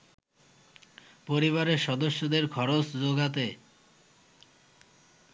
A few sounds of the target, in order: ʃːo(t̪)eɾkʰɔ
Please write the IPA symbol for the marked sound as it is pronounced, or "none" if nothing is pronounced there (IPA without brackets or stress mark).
d̪